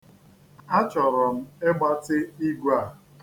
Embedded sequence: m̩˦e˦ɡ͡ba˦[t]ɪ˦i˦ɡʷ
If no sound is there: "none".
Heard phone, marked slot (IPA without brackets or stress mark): t